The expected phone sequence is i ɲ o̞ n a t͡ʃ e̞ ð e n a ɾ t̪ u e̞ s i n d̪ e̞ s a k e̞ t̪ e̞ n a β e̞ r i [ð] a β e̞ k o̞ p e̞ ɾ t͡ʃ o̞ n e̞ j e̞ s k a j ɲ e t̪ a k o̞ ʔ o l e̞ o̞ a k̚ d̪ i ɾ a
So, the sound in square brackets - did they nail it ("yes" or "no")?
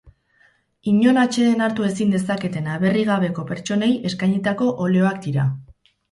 no